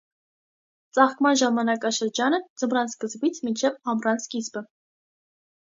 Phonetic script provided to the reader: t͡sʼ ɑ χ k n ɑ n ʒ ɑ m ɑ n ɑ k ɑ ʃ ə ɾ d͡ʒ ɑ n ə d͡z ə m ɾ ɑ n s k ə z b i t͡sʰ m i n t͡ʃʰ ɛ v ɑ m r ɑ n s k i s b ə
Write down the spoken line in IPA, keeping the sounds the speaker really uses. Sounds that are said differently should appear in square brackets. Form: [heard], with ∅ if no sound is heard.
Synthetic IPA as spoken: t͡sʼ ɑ χ k [m] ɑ n ʒ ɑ m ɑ n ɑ k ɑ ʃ ə ɾ d͡ʒ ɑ n ə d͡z ə m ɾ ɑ n s k ə z b i t͡sʰ m i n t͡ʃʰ ɛ v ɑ m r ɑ n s k i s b ə